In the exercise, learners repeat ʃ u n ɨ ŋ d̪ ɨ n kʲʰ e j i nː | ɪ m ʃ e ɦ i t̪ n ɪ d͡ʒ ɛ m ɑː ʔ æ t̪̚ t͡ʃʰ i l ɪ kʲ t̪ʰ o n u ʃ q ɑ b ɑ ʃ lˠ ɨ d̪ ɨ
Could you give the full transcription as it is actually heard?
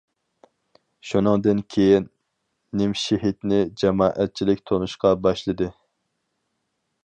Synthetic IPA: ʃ u n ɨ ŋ d̪ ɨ n kʲʰ e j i nː | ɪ m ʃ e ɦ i t̪ n ɪ d͡ʒ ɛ m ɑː ʔ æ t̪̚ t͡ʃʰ i l ɪ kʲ t̪ʰ o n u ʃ q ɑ b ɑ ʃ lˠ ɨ d̪ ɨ